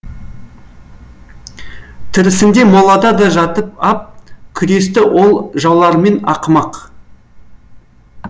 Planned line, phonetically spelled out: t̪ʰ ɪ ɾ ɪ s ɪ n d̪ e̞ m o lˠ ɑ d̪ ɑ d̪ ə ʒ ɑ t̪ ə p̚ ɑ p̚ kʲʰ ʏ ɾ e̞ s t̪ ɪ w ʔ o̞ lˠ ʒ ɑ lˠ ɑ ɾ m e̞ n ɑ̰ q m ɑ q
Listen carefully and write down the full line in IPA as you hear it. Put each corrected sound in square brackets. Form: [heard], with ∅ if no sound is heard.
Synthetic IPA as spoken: t̪ʰ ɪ ɾ ɪ s ɪ n d̪ e̞ m o lˠ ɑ d̪ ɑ d̪ [ɑ] ʒ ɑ t̪ ə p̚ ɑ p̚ kʲʰ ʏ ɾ e̞ s t̪ ɪ w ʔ o̞ lˠ ʒ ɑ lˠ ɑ ɾ m e̞ n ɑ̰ q m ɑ q